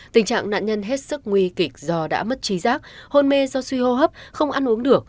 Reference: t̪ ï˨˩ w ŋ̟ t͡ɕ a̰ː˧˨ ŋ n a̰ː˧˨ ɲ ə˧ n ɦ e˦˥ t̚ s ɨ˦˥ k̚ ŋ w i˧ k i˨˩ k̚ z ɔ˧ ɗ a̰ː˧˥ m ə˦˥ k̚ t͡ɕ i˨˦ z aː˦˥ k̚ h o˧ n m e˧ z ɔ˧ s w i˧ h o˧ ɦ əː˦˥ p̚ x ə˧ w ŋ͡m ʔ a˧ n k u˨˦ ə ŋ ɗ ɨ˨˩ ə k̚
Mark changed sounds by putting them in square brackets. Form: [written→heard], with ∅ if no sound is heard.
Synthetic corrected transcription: t̪ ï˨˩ [w→∅] ŋ̟ t͡ɕ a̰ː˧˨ ŋ n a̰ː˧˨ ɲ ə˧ n ɦ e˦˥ t̚ s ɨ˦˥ k̚ ŋ w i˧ k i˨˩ k̚ z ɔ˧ ɗ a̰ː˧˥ m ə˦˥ [k̚→t̚] t͡ɕ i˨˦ z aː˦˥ k̚ h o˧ n m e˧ z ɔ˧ s w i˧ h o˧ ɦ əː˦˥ p̚ x ə˧ w ŋ͡m ʔ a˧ n [k→ʔ] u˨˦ ə ŋ ɗ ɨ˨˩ ə k̚